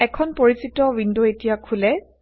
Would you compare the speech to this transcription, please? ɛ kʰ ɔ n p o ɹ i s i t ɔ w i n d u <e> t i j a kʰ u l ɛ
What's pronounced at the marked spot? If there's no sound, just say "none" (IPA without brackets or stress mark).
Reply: e